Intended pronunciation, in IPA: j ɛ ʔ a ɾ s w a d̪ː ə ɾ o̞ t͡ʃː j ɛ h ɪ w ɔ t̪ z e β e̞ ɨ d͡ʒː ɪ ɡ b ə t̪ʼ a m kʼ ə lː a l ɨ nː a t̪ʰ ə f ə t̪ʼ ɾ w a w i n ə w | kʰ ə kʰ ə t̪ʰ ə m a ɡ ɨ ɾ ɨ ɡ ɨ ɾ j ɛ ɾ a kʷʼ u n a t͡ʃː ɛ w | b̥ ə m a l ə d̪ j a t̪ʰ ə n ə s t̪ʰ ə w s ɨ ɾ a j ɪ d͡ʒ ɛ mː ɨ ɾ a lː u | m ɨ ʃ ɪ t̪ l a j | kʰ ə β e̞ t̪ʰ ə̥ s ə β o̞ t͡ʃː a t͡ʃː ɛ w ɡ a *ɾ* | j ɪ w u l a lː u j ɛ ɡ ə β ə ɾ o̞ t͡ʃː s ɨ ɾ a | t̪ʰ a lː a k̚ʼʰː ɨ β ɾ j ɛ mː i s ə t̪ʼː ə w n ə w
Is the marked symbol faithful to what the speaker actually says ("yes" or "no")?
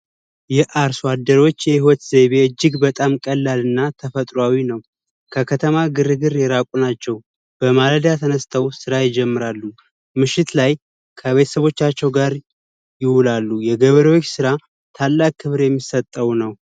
yes